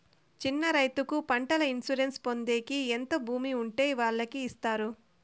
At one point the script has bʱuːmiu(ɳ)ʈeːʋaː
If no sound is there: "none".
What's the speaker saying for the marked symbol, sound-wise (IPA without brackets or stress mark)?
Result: ɳ